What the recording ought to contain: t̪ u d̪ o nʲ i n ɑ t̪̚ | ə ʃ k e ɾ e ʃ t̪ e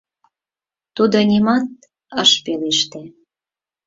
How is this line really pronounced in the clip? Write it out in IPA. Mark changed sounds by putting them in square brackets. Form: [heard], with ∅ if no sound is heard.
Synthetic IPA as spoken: t̪ u d̪ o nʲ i [m] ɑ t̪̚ | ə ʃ [p] e [l] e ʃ t̪ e